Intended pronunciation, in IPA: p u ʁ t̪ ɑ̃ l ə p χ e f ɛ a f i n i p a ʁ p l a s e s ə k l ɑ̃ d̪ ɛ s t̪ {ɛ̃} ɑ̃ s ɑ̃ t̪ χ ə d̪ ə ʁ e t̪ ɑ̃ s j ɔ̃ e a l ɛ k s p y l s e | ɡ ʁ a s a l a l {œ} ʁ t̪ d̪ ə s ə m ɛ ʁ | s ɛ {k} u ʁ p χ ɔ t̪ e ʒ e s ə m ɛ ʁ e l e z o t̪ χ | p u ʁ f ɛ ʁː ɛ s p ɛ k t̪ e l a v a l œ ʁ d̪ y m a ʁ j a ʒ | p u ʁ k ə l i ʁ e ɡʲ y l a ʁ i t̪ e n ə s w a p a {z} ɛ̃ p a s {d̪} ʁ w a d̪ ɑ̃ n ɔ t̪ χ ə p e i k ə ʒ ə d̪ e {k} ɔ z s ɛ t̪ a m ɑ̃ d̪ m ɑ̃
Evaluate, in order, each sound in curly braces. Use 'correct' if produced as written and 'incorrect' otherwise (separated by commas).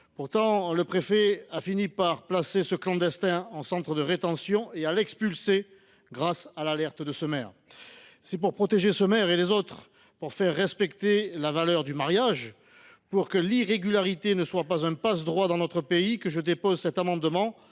correct, incorrect, incorrect, correct, correct, incorrect